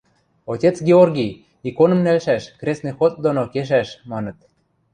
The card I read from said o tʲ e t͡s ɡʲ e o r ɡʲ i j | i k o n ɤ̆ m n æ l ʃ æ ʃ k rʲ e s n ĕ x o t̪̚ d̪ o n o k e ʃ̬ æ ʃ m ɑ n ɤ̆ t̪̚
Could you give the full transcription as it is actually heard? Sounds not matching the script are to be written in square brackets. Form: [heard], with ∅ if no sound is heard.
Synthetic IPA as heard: o tʲ e t͡s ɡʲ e o r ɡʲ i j | i k o n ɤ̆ m n æ l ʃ æ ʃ k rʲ e s n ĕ x o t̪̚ d̪ o n o k e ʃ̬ æ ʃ m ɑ n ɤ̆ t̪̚